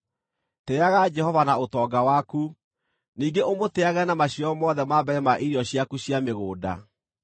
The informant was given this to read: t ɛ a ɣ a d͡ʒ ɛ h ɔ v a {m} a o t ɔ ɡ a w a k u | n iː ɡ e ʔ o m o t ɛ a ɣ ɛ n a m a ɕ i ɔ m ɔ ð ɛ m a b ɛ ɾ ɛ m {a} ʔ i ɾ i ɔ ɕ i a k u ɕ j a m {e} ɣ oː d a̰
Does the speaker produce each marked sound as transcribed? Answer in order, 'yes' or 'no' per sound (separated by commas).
no, yes, yes